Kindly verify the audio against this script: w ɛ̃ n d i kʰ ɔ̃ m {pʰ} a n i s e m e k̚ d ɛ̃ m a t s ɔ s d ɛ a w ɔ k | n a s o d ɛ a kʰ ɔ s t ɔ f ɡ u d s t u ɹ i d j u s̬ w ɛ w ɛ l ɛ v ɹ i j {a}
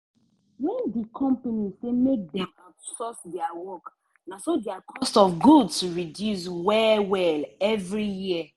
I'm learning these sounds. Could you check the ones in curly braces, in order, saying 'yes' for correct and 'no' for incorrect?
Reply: no, no

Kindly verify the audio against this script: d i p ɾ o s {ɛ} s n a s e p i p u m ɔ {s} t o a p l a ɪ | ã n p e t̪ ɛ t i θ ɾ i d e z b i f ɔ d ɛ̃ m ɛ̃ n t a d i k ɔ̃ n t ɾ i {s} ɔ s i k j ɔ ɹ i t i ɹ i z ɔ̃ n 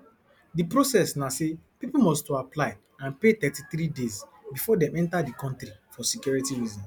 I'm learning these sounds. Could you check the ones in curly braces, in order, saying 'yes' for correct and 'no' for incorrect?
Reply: yes, yes, no

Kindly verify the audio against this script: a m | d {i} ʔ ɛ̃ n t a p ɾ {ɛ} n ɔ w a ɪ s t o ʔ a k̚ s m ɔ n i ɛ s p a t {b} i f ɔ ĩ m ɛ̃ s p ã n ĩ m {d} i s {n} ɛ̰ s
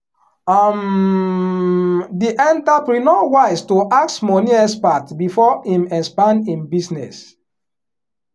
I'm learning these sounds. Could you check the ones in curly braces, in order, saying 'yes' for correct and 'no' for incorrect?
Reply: yes, no, yes, no, yes

